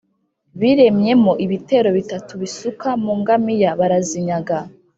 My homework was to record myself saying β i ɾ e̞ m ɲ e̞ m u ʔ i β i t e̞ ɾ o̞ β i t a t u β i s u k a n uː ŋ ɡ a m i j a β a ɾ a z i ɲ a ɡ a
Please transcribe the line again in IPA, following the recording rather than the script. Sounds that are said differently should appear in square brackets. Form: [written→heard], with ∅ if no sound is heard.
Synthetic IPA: β i ɾ e̞ m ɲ e̞ m [u→o] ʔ i β i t e̞ ɾ o̞ β i t a t u β i s u k a [n→m] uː ŋ ɡ a m i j a β a ɾ a z i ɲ a ɡ a

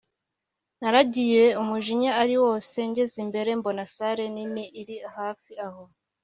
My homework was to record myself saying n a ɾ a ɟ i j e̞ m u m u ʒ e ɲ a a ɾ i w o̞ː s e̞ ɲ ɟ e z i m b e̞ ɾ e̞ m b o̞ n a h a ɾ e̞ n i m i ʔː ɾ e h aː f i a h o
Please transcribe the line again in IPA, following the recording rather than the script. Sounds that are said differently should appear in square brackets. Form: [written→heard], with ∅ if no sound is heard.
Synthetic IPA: n a ɾ a ɟ i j e̞ [m→∅] u m u ʒ [e→i] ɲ a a ɾ i w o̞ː s e̞ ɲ ɟ e z i m b e̞ ɾ e̞ m b o̞ n a [h→s] a ɾ e̞ n i [m→n] i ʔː ɾ [e→i] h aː f i a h o

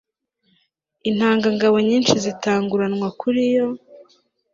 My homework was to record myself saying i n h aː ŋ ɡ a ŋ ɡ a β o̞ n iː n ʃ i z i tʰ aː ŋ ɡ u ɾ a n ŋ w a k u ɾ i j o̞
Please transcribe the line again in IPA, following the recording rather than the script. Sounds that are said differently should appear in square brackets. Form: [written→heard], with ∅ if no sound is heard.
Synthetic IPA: i n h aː ŋ ɡ a ŋ ɡ a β o̞ [n→ɲ] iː n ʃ i z i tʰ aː ŋ ɡ u ɾ a n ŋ w a k u ɾ i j o̞

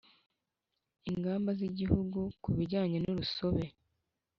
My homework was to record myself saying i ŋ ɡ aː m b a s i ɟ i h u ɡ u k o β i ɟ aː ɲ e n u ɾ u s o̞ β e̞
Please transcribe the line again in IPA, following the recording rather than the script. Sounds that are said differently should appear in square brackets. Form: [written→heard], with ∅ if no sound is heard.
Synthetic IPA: i ŋ ɡ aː m b a [s→z] i ɟ i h u ɡ u k [o→u] β i ɟ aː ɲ e n u ɾ u s o̞ β e̞

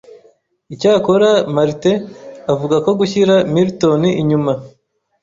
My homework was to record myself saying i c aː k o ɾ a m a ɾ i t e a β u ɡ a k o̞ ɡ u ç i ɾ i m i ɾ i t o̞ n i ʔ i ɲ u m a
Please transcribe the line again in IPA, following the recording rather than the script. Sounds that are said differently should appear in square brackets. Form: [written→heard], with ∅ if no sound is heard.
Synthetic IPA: i c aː k o ɾ a m a ɾ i t e a [β→v] u ɡ a k o̞ ɡ u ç i ɾ [i→a] m i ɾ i t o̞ n i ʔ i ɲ u m a

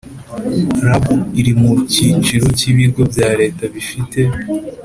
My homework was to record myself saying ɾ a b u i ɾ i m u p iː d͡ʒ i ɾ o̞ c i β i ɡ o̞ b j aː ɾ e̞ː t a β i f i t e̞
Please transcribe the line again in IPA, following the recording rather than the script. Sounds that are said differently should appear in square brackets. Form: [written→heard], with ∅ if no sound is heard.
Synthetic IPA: ɾ a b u i ɾ i m u [p→c] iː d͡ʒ i ɾ o̞ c i β i ɡ o̞ b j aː ɾ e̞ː t a β i f i t e̞

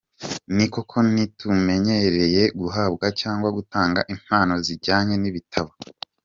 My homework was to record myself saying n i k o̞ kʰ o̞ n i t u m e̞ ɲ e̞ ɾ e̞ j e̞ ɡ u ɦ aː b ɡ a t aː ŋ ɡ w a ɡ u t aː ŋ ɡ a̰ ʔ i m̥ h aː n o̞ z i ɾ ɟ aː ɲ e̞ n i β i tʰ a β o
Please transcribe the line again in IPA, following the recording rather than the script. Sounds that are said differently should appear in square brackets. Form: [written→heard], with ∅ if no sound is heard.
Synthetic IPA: n i k o̞ kʰ o̞ n i t u m e̞ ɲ e̞ ɾ e̞ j e̞ ɡ u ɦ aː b ɡ a [t→c] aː ŋ ɡ w a ɡ u t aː ŋ ɡ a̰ ʔ i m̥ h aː n o̞ z i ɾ ɟ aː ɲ e̞ n i β i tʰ a β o

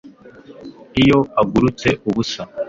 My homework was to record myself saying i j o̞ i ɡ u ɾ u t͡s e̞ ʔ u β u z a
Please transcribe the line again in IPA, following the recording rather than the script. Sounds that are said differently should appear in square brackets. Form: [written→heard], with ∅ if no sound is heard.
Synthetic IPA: i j o̞ [i→a] ɡ u ɾ u t͡s e̞ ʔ u β u [z→s] a

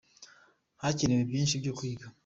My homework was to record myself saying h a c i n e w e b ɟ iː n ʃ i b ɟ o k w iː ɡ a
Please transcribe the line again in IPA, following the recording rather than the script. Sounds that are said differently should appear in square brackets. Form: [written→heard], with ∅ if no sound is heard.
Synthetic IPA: h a c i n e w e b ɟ iː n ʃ i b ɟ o k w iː ɡ a

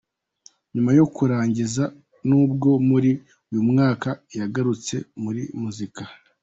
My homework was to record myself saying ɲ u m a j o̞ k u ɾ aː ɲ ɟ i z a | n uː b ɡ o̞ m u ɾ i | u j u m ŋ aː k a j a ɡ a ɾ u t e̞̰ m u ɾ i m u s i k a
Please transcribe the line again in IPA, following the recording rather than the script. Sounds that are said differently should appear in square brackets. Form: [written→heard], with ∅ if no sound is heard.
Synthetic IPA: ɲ u m a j o̞ k u ɾ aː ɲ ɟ i z a | n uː b ɡ o̞ m u ɾ i | u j u m ŋ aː k a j a ɡ a ɾ u [t→t͡s] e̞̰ m u ɾ i m u [s→z] i k a

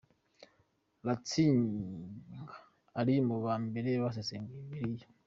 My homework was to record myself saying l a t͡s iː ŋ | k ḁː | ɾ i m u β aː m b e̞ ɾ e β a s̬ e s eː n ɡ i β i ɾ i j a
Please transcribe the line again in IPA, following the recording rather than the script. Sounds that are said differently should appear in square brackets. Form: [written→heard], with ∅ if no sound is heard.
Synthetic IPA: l a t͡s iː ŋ | [k→ɡ] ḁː | ɾ i m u β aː m b e̞ ɾ e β a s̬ e s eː [n→ŋ] ɡ i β i ɾ i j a

